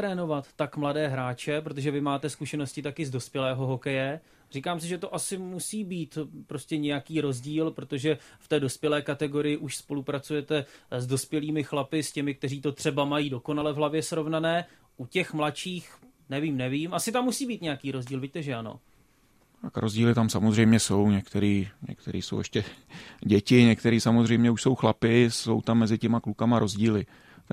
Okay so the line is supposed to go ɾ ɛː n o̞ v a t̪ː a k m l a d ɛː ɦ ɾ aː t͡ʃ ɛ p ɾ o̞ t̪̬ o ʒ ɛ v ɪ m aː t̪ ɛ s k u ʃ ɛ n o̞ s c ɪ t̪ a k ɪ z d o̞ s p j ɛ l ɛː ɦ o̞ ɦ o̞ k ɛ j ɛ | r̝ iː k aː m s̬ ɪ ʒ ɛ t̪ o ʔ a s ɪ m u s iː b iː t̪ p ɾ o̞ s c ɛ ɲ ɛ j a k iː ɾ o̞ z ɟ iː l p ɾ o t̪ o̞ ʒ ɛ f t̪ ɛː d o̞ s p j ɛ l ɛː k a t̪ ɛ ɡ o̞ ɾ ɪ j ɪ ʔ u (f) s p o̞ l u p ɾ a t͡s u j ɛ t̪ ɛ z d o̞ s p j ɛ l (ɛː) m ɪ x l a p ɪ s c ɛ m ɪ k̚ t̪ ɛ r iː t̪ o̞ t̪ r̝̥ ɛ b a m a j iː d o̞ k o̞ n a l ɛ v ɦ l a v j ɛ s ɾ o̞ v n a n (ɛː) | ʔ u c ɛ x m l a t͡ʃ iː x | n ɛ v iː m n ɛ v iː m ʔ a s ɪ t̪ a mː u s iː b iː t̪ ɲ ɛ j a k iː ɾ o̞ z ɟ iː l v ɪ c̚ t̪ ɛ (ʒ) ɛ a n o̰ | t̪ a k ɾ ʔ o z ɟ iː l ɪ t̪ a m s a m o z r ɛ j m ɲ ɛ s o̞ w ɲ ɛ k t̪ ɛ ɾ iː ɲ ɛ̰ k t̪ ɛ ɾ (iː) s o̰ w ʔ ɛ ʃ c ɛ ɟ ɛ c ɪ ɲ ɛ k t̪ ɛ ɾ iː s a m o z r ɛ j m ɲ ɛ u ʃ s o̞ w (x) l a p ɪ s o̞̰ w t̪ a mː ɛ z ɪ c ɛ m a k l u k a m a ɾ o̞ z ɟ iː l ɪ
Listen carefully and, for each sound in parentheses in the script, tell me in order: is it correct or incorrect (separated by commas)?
incorrect, incorrect, correct, correct, correct, correct